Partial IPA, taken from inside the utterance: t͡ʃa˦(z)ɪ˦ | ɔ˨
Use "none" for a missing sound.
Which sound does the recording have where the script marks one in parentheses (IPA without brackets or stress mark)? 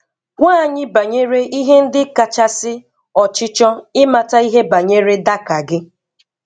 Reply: s